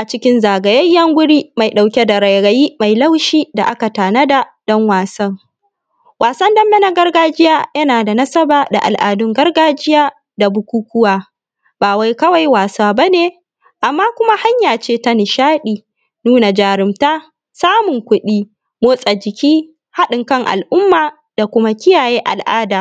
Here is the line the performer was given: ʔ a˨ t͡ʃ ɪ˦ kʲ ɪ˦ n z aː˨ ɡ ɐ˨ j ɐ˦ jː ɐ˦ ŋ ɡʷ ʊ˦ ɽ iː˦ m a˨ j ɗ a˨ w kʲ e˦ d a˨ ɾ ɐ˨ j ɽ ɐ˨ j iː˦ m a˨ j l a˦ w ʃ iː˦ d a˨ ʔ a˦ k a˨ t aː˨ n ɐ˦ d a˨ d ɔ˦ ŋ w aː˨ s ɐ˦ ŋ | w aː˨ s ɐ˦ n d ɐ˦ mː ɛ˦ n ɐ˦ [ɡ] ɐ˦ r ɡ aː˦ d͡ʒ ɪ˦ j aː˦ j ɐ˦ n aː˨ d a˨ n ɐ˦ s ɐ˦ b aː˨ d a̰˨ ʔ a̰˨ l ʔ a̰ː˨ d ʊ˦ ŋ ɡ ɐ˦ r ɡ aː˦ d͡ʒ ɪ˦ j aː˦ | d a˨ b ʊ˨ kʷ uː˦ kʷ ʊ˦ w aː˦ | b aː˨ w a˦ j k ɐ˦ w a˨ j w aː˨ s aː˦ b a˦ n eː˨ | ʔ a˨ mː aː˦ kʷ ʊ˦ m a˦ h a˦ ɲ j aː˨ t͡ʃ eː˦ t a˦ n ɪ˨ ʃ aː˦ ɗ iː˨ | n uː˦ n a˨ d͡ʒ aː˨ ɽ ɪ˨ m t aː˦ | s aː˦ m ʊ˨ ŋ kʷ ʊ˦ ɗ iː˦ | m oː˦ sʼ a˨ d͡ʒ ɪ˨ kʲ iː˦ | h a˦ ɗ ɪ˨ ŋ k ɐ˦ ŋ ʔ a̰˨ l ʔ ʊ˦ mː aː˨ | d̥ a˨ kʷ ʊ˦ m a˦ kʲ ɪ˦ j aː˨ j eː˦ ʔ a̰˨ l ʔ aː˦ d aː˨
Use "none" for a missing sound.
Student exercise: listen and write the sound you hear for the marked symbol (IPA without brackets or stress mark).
ɡ